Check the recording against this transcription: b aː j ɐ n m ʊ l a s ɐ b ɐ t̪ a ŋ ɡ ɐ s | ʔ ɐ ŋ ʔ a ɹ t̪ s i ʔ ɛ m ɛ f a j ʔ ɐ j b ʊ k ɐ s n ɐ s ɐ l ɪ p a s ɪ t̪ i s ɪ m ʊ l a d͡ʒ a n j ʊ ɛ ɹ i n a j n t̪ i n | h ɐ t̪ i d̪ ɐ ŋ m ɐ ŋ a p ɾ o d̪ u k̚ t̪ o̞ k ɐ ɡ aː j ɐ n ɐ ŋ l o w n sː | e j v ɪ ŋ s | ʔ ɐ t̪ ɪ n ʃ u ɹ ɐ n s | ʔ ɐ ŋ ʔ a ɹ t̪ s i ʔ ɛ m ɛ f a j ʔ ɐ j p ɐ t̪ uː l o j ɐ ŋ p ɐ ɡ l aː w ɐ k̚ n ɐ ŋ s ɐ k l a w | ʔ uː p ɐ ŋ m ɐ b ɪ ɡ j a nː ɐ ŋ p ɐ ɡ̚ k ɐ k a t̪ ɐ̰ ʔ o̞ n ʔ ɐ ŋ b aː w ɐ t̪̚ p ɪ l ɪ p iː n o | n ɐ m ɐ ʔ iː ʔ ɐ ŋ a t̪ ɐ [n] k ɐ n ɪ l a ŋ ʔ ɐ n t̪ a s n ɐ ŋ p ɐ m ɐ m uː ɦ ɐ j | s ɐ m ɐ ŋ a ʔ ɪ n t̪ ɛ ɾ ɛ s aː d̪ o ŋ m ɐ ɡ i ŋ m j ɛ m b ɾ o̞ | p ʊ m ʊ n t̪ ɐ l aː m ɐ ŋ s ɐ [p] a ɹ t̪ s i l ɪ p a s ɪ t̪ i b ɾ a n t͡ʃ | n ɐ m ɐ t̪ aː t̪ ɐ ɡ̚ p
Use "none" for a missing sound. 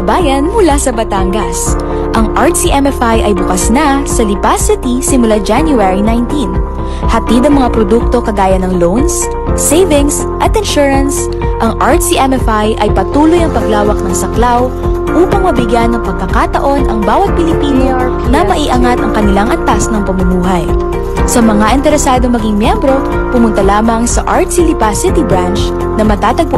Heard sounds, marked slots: ŋ, ʔ

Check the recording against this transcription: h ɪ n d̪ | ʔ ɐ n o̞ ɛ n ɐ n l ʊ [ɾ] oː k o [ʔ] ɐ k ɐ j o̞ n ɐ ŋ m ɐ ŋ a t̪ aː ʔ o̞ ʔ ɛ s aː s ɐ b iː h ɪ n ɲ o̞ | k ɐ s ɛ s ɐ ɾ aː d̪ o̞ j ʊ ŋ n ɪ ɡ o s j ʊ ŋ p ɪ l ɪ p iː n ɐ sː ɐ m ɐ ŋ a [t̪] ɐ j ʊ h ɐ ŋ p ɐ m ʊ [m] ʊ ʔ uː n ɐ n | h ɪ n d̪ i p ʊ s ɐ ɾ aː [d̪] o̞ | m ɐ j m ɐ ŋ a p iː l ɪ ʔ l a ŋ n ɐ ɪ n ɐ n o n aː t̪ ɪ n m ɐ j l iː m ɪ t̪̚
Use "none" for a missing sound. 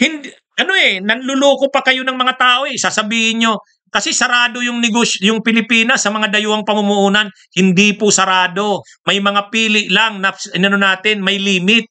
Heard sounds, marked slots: l, p, d̪, m, d̪

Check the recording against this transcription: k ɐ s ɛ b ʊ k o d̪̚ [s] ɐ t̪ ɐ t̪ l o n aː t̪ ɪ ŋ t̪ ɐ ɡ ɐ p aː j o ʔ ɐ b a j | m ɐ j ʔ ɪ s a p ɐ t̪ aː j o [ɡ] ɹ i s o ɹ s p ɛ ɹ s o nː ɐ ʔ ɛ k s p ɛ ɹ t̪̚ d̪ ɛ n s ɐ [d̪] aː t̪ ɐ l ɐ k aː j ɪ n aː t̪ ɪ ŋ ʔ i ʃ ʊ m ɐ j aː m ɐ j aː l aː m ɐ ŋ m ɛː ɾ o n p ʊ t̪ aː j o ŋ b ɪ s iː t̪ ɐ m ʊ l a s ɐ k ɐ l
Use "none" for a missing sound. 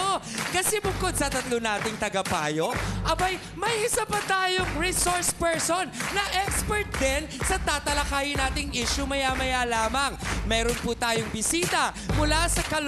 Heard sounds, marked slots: s, ŋ, t̪

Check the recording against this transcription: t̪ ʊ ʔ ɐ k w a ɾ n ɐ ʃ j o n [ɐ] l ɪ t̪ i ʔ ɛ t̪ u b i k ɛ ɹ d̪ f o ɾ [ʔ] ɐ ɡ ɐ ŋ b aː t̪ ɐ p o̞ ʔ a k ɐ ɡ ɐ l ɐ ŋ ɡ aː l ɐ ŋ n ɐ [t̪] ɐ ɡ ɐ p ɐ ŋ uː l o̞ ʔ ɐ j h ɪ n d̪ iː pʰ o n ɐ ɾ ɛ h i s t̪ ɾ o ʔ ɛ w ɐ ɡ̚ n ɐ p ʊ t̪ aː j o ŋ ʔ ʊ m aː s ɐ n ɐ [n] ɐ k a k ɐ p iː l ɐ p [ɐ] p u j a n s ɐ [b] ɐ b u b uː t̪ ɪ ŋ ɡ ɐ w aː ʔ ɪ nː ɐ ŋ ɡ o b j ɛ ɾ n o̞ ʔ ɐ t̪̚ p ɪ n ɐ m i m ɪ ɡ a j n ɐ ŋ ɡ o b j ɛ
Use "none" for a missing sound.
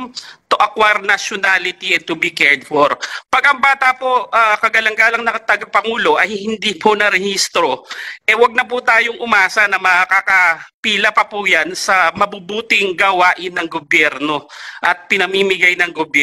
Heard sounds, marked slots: a, p, t̪, m, ɐ, m

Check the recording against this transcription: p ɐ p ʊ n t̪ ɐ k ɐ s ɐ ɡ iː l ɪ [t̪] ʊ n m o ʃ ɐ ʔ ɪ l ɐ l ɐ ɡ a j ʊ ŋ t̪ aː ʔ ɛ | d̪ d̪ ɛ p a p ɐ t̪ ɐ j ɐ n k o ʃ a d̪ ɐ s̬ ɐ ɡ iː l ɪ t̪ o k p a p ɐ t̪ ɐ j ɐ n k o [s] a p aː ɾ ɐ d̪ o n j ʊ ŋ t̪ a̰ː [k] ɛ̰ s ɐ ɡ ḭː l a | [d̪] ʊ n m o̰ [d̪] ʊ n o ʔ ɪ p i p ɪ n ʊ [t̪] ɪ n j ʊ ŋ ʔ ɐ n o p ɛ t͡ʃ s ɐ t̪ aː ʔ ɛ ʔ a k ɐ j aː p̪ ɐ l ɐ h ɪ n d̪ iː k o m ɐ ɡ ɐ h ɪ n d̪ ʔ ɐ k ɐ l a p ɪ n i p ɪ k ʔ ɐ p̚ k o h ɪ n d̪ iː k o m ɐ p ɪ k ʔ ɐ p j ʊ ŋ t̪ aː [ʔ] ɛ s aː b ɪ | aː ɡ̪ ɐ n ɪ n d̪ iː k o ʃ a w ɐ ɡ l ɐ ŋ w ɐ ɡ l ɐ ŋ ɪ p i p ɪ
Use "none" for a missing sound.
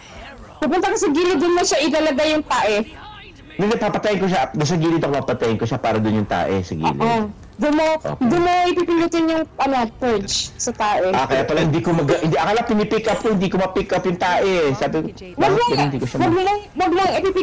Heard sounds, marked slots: d̪, ʃ, ʔ, d̪, d̪, t̪, ʔ

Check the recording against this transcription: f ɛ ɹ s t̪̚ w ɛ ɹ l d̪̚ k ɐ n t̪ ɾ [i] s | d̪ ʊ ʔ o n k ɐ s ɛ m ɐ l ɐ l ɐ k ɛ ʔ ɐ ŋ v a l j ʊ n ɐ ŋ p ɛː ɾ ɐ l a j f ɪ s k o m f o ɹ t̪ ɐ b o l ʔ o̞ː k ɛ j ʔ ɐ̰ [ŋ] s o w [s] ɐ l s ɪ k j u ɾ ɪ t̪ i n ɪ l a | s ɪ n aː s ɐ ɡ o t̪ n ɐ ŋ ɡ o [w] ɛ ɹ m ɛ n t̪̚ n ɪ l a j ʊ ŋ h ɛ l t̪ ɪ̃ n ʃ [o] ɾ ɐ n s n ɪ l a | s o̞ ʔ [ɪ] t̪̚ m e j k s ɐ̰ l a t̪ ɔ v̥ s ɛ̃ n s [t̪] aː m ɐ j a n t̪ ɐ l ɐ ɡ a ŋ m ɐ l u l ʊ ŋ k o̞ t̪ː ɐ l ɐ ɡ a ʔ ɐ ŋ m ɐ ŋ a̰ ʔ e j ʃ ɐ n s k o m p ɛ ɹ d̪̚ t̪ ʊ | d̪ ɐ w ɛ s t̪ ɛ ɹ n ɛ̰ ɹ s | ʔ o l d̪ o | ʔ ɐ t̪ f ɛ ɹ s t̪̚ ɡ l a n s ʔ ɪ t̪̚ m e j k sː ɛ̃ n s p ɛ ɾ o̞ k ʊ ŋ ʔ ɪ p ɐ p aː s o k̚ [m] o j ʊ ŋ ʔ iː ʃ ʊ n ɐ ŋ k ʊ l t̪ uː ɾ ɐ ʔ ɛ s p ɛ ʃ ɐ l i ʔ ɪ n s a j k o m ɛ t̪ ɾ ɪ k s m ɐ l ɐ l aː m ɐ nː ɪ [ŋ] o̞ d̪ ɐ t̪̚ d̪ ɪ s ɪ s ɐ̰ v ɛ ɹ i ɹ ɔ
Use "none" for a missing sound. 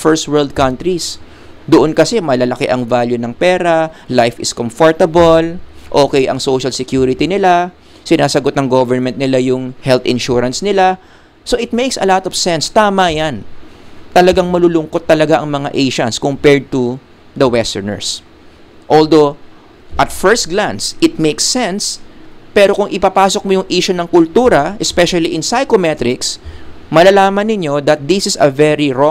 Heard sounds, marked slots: i, ŋ, ʃ, v, u, ɪ, t̪, m, ɲ

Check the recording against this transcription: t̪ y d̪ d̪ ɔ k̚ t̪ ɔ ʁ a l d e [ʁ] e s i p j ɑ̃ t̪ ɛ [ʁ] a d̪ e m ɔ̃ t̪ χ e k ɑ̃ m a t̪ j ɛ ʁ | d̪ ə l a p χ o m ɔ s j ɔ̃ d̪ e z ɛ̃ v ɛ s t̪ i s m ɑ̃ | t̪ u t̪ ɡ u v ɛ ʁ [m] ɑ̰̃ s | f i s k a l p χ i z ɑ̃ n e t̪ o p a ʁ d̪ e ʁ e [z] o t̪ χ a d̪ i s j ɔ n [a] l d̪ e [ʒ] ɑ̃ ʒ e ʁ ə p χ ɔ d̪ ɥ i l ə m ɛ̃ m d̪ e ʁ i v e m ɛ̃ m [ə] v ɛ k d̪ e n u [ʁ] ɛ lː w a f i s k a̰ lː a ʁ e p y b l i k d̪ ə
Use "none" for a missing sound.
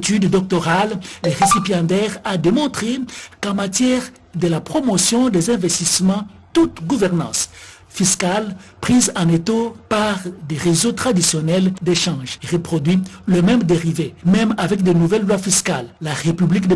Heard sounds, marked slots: ʁ, ʁ, n, z, ɛ, ʃ, a, v

